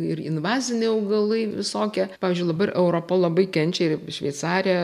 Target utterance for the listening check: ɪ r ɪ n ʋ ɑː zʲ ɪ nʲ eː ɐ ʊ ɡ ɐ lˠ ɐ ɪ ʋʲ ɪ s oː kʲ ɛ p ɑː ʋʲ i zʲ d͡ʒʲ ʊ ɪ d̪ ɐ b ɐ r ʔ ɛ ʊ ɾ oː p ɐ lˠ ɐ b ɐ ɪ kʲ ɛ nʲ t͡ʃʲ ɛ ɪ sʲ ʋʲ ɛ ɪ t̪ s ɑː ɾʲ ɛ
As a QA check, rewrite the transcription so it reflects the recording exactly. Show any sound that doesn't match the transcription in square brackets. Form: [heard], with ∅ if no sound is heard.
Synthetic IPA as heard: ɪ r ɪ n ʋ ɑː zʲ ɪ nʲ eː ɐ ʊ ɡ ɐ lˠ ɐ ɪ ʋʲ ɪ s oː kʲ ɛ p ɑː ʋʲ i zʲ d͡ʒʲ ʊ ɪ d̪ ɐ b ɐ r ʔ ɛ ʊ ɾ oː p ɐ lˠ ɐ b ɐ ɪ kʲ ɛ nʲ t͡ʃʲ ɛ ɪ [ʃʲ] ʋʲ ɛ ɪ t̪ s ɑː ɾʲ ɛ